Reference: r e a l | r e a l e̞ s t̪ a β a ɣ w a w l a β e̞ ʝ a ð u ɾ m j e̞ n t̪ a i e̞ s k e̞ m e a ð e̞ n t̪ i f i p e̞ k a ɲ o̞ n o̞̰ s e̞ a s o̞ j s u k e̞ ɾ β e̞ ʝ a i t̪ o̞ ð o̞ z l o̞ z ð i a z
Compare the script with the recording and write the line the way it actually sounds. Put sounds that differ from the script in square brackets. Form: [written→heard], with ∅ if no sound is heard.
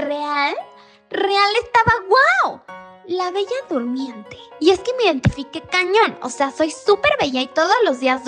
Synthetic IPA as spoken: r e a l | r e a l e̞ s t̪ a β a ɣ w a w l a β e̞ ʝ a ð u ɾ m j e̞ n t̪ [a→e] i e̞ s k e̞ m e [a→i] ð e̞ n t̪ i f i [p→k] e̞ k a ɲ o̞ n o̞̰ s e̞ a s o̞ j s u [k→p] e̞ ɾ β e̞ ʝ a i t̪ o̞ ð o̞ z l o̞ z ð i a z

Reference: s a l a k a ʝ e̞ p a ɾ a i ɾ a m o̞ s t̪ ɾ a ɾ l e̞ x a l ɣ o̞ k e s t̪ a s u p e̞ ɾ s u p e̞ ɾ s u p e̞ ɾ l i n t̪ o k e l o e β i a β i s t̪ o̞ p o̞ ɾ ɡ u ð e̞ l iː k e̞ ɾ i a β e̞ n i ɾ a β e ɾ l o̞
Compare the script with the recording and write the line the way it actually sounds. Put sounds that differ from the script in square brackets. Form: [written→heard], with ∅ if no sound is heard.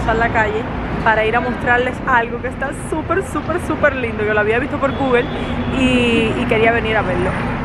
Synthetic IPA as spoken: s a l a k a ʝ e̞ p a ɾ a i ɾ a m o̞ s t̪ ɾ a ɾ l e̞ [x→s] a l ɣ o̞ k e s t̪ a s u p e̞ ɾ s u p e̞ ɾ s u p e̞ ɾ l i n [t̪→d̪] o k e l o [e→a] β i a β i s t̪ o̞ p o̞ ɾ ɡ u [ð→ɣ] e̞ l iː k e̞ ɾ i a β e̞ n i ɾ a β e ɾ l o̞

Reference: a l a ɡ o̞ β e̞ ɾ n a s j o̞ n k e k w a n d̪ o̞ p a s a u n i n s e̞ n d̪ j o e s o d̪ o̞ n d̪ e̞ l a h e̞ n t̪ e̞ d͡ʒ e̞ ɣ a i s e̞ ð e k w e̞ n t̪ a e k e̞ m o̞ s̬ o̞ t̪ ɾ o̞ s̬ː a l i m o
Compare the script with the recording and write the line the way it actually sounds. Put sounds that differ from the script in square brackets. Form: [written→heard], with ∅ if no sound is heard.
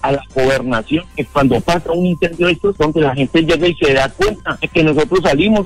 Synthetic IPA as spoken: a l a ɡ o̞ β e̞ ɾ n a s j o̞ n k e k w a n d̪ o̞ p a s a u n i n s e̞ n d̪ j o e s o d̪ o̞ n d̪ e̞ l a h e̞ n t̪ e̞ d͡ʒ e̞ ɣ a i s e̞ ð [e→a] k w e̞ n t̪ a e k e̞ [m→n] o̞ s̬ o̞ t̪ ɾ o̞ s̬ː a l i m o

